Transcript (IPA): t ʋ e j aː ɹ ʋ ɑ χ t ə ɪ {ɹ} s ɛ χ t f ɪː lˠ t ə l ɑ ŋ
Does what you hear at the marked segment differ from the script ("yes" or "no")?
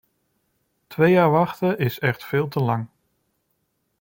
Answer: yes